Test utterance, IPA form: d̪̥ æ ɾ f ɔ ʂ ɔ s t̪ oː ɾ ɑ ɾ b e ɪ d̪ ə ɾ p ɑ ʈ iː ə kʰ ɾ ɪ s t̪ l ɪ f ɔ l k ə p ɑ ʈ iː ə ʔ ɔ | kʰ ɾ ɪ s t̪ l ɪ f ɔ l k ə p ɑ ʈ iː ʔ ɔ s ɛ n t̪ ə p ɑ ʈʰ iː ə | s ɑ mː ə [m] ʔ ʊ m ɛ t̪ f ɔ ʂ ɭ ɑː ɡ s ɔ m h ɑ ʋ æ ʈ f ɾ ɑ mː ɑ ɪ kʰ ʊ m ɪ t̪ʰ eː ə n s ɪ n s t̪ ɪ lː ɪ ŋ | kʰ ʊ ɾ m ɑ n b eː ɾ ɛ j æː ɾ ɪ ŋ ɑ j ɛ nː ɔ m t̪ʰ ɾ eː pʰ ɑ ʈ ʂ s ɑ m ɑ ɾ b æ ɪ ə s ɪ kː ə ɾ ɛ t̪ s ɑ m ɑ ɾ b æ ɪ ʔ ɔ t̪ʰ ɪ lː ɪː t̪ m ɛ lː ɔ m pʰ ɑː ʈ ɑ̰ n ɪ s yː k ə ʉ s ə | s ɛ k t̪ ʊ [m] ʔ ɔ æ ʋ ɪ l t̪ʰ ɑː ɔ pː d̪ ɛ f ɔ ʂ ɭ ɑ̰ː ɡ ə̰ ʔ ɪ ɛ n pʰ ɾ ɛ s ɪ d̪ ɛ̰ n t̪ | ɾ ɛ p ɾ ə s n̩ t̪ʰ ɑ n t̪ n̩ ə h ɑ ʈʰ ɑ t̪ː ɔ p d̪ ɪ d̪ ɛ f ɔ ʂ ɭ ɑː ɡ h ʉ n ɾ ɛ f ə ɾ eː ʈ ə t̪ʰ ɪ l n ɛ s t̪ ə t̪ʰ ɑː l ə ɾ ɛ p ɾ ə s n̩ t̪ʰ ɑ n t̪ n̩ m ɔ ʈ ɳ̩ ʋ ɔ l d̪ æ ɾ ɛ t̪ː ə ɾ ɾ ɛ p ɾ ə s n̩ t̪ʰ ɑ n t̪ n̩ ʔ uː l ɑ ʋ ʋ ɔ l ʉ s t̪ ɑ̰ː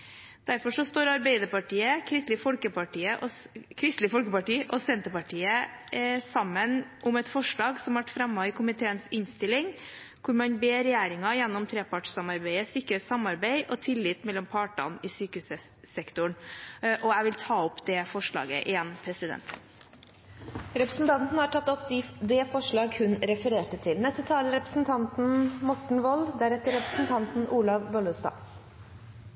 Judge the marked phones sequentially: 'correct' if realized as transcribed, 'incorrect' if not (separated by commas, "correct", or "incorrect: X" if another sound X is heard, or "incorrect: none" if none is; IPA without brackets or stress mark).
incorrect: n, incorrect: ɳ